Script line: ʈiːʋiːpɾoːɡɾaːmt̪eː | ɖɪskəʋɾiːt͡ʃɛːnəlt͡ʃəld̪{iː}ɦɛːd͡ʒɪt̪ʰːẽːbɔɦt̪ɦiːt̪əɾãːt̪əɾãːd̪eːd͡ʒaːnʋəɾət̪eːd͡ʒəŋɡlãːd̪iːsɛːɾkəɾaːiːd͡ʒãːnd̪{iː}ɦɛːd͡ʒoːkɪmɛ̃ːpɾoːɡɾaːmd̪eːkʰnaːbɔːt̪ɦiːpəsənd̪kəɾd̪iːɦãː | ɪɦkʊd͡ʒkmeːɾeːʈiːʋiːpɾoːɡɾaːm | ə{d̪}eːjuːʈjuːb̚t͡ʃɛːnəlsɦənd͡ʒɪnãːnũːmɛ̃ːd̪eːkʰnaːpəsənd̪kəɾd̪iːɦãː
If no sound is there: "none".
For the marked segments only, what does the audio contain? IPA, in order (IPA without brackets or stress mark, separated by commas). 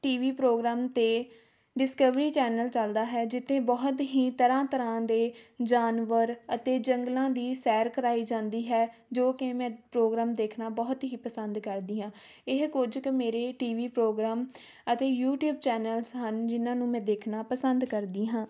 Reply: aː, iː, t̪